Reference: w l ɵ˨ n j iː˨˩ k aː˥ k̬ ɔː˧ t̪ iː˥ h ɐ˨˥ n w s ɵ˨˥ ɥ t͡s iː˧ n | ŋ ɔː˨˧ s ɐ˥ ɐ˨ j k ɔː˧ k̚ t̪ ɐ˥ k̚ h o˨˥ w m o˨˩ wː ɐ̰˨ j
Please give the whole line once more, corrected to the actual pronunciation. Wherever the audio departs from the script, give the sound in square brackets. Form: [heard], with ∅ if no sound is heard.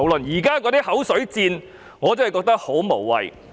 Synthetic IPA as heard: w l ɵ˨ n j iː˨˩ k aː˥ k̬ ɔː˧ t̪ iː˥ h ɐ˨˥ [∅] w s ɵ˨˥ ɥ t͡s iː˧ n | ŋ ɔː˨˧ [t͡s] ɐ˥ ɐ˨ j k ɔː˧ k̚ t̪ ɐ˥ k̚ h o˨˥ w m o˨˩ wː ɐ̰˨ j